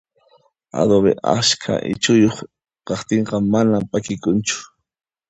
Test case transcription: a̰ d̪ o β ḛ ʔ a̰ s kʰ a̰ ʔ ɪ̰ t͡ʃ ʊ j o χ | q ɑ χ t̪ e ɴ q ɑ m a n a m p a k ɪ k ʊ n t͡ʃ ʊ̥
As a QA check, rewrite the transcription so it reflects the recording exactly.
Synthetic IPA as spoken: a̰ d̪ o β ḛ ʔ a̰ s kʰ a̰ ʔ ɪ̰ t͡ʃ ʊ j o χ | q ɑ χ t̪ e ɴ q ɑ m a n a m p a k ɪ k ʊ n t͡ʃ ʊ̥